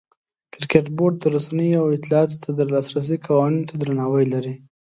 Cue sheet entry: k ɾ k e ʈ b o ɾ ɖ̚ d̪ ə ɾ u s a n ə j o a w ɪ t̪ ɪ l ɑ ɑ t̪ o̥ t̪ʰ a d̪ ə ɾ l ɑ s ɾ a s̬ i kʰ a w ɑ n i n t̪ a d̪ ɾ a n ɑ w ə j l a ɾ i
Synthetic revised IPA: k ɾ k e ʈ b o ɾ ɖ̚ d̪ ə ɾ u s a n ə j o a w ɪ t̪ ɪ l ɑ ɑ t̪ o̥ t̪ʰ a d̪ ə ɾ l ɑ s ɾ a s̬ i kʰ a w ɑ n i n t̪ a d̪ ɾ a n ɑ w ə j l a ɾ i